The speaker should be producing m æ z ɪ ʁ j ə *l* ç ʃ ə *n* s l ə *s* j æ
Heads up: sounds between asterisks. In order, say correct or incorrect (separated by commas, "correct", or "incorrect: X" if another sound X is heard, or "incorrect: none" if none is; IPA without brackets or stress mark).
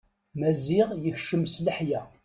incorrect: none, incorrect: m, incorrect: ħ